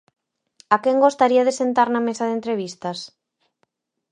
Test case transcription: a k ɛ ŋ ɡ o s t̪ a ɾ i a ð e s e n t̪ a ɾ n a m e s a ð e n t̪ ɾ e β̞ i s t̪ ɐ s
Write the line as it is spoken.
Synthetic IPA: a k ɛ ŋ ɡ o s t̪ a ɾ i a ð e s e n t̪ a ɾ n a m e s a ð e n t̪ ɾ e β̞ i s t̪ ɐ s